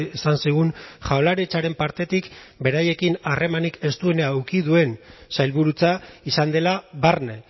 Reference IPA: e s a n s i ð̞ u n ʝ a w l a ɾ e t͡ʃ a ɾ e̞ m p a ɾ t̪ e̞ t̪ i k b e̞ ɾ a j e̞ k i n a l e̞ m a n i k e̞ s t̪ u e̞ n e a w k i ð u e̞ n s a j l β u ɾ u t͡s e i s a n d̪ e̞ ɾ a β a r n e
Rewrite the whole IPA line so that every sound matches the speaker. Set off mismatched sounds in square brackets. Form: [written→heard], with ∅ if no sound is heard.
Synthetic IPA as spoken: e s a n s i [ð̞→ɣ̞] u n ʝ a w l a ɾ e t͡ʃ a ɾ e̞ m p a ɾ t̪ e̞ t̪ i k b e̞ ɾ a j e̞ k i n a [l→r] e̞ m a n i k e̞ s t̪ u e̞ n e a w k i ð u e̞ n s a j l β u ɾ u t͡s [e→a] i s a n d̪ e̞ [ɾ→l] a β a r n e